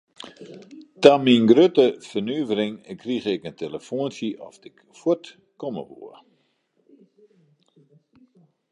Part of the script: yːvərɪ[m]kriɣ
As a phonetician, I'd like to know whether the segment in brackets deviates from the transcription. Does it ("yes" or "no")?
yes